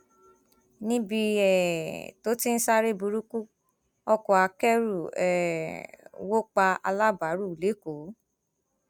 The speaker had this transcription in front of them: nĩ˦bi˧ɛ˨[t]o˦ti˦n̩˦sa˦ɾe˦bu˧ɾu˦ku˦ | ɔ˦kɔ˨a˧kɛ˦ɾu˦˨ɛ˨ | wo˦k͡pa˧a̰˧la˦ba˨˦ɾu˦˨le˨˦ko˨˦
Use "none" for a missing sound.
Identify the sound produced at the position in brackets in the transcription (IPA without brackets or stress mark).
t